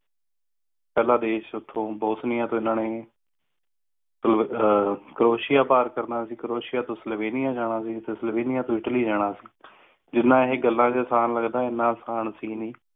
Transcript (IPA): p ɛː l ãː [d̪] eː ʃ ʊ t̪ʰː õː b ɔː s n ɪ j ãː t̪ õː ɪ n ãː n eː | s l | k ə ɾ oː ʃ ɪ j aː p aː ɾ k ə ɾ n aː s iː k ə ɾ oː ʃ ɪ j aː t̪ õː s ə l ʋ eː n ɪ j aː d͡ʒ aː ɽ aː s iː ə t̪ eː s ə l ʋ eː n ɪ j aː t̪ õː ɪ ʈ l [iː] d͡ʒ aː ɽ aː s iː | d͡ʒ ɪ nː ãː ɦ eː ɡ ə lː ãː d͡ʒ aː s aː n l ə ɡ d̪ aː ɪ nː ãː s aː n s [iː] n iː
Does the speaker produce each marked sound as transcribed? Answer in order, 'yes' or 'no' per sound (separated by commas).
yes, yes, yes